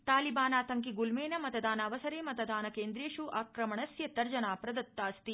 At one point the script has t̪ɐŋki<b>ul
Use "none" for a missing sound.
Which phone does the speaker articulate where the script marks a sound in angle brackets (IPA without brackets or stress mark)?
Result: ɡ